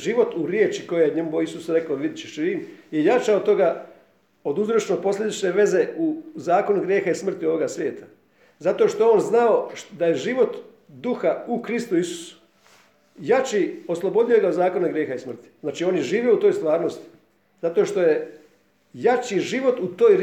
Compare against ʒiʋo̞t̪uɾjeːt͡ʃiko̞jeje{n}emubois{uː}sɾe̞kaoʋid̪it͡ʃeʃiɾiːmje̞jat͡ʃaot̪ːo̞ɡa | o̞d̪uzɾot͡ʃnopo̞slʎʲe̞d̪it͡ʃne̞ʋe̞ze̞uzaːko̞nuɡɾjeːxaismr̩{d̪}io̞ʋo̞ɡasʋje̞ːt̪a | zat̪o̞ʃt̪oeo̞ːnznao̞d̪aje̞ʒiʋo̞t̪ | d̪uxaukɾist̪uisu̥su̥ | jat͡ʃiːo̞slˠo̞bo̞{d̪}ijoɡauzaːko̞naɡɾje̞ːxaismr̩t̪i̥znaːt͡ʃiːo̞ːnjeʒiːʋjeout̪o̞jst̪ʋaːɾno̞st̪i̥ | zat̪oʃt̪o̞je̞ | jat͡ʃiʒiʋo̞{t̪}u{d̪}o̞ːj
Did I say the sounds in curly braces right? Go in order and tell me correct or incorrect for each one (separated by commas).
incorrect, incorrect, incorrect, correct, correct, incorrect